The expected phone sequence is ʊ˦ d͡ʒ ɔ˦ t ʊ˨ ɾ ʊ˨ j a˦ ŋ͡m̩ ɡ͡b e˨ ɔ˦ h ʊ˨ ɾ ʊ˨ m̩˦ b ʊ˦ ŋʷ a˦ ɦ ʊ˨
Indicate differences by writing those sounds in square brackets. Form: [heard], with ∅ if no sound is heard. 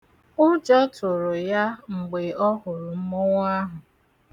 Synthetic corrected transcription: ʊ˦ d͡ʒ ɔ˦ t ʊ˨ ɾ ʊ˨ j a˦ ŋ͡m̩ ɡ͡b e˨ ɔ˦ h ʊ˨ ɾ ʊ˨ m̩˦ [m] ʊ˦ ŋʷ a˦ ɦ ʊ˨